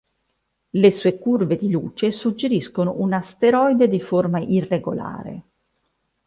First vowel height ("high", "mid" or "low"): mid